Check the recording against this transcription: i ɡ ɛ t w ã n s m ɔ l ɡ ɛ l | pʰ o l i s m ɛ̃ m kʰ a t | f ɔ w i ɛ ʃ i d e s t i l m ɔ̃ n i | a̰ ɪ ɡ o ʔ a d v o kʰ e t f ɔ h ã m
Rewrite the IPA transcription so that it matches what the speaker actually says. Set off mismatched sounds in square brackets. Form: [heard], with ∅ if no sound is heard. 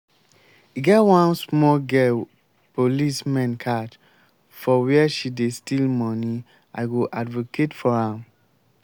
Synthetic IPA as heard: i ɡ ɛ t w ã n s m ɔ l ɡ ɛ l | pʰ o l i s m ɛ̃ [n] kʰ a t | f ɔ w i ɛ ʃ i d e s t i l m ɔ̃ n i | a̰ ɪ ɡ o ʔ a d v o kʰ e t f ɔ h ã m